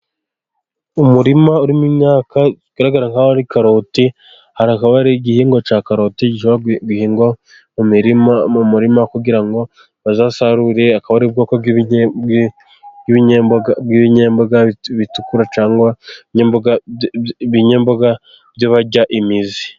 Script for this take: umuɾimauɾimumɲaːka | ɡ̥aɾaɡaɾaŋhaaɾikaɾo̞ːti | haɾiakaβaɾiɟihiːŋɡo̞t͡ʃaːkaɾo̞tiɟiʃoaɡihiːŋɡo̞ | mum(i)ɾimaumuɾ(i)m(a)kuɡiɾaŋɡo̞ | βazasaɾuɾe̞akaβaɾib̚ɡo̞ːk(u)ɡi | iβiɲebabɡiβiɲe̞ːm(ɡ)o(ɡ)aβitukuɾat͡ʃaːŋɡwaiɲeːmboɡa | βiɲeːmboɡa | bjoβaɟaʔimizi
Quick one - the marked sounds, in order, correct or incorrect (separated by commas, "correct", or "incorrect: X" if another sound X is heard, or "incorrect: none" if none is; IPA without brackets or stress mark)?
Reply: correct, correct, correct, incorrect: o, incorrect: b, correct